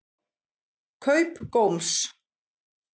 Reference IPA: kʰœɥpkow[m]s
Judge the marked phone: correct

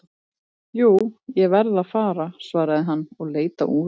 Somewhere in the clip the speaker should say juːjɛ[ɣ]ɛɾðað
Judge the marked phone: incorrect: v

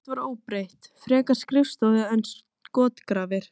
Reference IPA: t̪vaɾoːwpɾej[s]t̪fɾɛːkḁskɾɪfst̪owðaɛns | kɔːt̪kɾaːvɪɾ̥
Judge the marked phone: incorrect: h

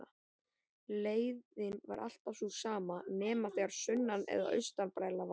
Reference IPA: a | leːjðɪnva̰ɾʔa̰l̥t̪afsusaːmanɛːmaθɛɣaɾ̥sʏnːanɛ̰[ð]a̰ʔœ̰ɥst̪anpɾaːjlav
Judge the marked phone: correct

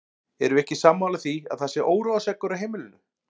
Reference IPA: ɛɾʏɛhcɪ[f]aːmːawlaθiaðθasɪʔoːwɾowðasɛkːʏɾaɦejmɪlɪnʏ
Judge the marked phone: incorrect: s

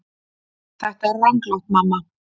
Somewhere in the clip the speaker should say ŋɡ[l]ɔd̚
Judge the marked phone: correct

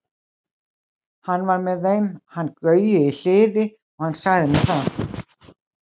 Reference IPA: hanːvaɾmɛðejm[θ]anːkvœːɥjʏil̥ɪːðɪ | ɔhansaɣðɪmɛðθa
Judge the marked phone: incorrect: h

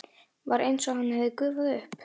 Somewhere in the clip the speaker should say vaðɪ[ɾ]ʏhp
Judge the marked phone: incorrect: none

